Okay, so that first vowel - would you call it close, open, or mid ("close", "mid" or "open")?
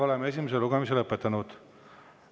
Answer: mid